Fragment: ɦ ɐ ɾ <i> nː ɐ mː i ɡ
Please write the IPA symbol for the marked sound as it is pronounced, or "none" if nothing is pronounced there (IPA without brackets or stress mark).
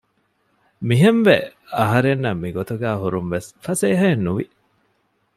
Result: e